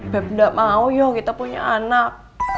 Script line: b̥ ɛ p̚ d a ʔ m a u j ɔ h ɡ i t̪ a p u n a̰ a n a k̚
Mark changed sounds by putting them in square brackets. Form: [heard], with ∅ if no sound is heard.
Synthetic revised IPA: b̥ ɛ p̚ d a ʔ m a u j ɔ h [k] i t̪ a p u [ɲ] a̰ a n a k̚